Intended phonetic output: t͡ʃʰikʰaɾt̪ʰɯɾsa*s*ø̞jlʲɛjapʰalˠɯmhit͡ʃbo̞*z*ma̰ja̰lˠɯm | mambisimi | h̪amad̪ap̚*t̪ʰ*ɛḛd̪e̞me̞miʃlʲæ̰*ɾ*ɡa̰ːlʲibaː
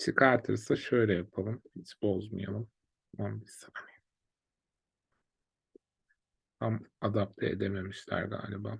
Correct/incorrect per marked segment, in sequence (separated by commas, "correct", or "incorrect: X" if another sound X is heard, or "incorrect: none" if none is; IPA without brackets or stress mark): incorrect: ʃ, correct, correct, correct